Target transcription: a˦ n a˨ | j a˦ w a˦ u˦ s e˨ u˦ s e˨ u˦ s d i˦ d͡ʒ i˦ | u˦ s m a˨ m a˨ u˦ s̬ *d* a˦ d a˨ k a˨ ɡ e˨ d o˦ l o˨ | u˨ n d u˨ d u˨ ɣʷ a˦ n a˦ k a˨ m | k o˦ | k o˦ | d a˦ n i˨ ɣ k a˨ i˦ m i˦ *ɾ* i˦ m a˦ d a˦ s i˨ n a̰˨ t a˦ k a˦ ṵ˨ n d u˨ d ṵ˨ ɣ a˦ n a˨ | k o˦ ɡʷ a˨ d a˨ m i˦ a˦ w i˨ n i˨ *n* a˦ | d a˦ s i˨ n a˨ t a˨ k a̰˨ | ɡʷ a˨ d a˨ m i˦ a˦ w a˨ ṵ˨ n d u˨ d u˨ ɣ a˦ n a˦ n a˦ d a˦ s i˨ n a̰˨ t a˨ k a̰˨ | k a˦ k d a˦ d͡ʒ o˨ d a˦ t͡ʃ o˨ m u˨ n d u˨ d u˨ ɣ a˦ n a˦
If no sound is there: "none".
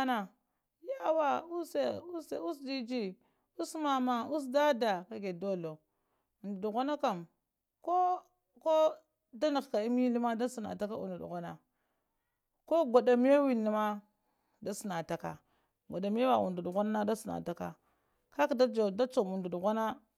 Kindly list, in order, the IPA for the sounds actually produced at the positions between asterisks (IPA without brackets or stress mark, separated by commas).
d, l, m